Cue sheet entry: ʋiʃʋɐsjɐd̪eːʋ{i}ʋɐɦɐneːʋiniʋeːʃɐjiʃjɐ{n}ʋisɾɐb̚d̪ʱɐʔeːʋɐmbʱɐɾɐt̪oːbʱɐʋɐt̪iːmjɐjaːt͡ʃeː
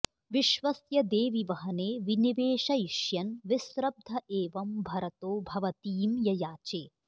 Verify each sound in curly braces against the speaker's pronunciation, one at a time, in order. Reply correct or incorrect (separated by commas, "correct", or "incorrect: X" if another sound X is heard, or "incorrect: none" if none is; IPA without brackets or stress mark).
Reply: correct, correct